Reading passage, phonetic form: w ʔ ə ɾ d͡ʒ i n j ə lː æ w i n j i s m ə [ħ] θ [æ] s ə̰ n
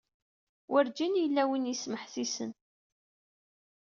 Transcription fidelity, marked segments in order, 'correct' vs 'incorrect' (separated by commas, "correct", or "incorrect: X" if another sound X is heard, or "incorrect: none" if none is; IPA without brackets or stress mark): correct, incorrect: i